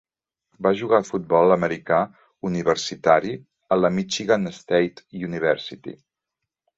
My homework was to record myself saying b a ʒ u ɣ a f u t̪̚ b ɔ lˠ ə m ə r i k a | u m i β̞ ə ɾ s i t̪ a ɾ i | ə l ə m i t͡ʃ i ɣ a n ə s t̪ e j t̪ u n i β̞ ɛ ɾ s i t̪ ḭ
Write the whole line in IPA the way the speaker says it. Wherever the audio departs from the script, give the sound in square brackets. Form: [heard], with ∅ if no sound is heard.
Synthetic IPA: b a ʒ u ɣ a f u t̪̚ b ɔ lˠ ə m ə [ɾ] i k a | u [n] i β̞ ə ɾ s i t̪ a ɾ i | ə l ə m i t͡ʃ i ɣ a n ə s t̪ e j t̪ u n i β̞ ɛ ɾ s i t̪ ḭ